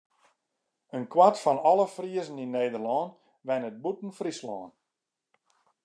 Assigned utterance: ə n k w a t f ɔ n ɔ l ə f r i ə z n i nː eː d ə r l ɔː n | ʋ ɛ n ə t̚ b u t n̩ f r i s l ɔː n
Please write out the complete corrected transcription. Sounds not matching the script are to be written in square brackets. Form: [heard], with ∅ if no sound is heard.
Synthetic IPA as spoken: ə n k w a t f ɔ n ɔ l ə f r i ə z n i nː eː d ə r l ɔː n | ʋ ɛ n ə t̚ b u t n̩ f r i s l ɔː n

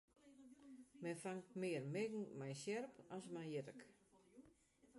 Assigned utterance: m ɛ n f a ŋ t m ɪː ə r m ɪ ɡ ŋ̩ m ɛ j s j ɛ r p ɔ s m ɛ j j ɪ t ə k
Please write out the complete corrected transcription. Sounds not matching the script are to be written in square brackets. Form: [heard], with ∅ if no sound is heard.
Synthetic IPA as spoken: m ɛ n f a ŋ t m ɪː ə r m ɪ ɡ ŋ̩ m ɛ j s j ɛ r p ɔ s m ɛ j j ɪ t ə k

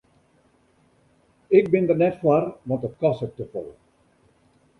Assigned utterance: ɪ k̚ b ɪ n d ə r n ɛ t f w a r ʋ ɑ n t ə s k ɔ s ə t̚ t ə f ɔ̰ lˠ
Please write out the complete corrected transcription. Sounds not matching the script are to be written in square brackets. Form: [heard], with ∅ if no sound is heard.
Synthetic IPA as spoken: ɪ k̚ b ɪ n d ə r n ɛ t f w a r ʋ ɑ n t ə [t] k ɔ s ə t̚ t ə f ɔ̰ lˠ

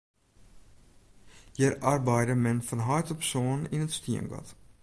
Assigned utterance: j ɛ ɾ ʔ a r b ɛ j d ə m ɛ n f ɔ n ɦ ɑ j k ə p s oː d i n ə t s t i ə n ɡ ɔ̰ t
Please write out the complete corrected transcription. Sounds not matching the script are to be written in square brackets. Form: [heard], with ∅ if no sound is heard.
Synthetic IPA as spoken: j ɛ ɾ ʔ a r b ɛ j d ə m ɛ n f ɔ n ɦ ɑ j [t] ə p s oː [n] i n ə t s t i ə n ɡ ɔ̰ t

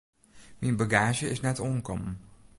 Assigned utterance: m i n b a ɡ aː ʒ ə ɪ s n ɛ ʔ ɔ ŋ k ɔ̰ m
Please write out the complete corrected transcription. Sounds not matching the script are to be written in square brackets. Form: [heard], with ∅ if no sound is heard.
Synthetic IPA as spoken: m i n b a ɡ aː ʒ ə ɪ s n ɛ [t] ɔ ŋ k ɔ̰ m

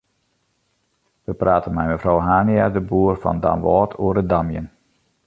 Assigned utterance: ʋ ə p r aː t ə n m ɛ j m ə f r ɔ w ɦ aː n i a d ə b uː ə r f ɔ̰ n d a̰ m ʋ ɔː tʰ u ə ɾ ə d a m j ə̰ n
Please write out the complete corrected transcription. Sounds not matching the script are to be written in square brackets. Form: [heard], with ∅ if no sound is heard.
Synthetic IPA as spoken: ʋ ə p r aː t ə n m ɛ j m ə f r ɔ w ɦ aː n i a d ə b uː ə r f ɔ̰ n d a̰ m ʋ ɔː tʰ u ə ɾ ə d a m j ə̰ n

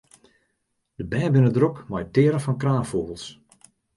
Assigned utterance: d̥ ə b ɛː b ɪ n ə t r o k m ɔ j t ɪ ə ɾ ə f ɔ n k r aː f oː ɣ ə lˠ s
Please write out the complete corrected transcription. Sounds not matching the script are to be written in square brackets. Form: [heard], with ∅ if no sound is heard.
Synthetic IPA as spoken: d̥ ə b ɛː b ɪ n ə [d] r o k m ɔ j t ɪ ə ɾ ə f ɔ n k r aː f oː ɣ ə lˠ s

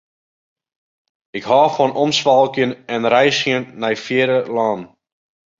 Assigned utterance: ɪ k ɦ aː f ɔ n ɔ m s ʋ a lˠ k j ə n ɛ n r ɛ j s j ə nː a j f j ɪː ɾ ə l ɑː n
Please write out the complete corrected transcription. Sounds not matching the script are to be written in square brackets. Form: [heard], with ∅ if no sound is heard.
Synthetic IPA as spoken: ɪ k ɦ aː f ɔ n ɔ m s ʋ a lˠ k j ə n ɛ n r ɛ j s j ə nː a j f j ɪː ɾ ə l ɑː n

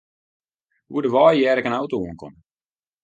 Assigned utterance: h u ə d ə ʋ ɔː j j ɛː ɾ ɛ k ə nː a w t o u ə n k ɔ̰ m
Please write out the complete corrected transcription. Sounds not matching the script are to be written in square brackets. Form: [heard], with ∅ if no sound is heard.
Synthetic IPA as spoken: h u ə d ə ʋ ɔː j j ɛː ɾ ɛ k ə [n] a w t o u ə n k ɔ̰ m

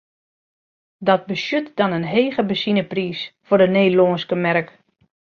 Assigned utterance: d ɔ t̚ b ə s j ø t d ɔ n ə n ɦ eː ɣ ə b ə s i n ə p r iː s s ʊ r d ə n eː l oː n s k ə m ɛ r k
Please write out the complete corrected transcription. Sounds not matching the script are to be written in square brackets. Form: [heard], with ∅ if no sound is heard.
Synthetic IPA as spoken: d ɔ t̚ b ə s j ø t d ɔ n ə n ɦ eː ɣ ə b ə s i n ə p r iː s [f] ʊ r d ə n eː l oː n s k ə m ɛ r k

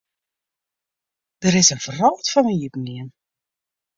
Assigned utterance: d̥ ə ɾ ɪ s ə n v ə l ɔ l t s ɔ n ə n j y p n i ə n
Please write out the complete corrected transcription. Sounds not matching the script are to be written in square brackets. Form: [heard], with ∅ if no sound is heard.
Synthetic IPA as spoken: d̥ ə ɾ ɪ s ə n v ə [r] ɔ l t [f] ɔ n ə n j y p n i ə n

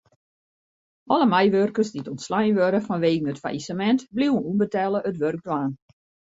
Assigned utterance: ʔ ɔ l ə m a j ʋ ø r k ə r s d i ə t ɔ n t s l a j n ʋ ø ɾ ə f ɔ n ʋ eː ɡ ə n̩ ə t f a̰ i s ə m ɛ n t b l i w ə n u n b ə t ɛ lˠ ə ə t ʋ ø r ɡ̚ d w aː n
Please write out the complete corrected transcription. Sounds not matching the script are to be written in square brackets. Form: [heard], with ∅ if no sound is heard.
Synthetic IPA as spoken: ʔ ɔ l ə m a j ʋ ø r k ə r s d i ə t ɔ n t s l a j n ʋ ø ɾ ə f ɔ n ʋ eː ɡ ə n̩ ə t f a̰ i s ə m ɛ n t b l i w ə n u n b ə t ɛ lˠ ə ə t ʋ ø r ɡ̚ d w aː n

